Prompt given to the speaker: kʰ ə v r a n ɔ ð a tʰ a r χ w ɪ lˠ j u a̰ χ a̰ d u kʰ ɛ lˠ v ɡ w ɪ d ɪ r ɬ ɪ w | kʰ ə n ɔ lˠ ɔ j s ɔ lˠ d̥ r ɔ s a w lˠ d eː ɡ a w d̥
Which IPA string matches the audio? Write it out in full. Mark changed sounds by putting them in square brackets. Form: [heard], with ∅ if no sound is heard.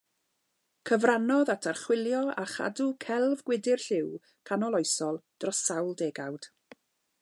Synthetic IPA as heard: kʰ ə v r a n ɔ ð a tʰ a r χ w ɪ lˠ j [ɔ] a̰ χ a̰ d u kʰ ɛ lˠ v ɡ w ɪ d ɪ r ɬ ɪ w | kʰ [a] n ɔ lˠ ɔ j s ɔ lˠ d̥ r ɔ s a w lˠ d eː ɡ a w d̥